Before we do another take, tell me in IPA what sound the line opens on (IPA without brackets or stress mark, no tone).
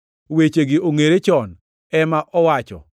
w